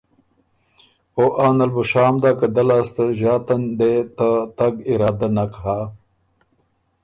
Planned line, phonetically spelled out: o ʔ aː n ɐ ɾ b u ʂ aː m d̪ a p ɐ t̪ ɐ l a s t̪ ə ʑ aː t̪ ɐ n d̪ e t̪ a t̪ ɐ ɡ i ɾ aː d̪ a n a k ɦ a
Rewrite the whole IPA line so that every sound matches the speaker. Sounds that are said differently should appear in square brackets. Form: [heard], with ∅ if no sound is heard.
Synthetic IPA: o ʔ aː n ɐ [l] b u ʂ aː m d̪ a [k] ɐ [d̪] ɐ l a s t̪ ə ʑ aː t̪ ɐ n d̪ e t̪ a t̪ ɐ ɡ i ɾ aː d̪ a n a k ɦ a